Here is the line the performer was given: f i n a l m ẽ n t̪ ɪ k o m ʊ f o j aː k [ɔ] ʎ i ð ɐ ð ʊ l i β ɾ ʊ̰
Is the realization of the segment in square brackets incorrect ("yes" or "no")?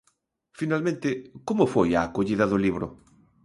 yes